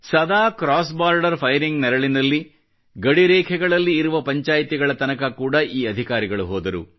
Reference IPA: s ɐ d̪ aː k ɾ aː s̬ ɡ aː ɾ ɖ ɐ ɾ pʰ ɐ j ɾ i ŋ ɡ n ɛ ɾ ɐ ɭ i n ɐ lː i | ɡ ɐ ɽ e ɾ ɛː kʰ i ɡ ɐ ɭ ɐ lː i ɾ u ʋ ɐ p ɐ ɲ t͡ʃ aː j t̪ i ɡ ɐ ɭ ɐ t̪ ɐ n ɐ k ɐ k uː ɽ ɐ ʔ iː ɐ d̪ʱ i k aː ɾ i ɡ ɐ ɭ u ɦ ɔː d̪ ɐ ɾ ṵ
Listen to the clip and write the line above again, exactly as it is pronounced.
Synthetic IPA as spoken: s ɐ d̪ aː k ɾ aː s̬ b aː ɾ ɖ ɐ ɾ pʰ ɐ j ɾ i ŋ ɡ n ɛ ɾ ɐ ɭ i n ɐ lː i | ɡ ɐ ɽ i ɾ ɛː kʰ ɛ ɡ ɐ ɭ ɐ lː iː ɾ u ʋ ɐ p ɐ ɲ t͡ʃ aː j t̪ i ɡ ɐ ɭ ɐ t̪ ɐ n ɐ k ɐ k uː ɽ ɐ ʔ iː ɐ d̪ʱ i k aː ɾ i ɡ ɐ ɭ u ɦ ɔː d̪ ɐ ɾ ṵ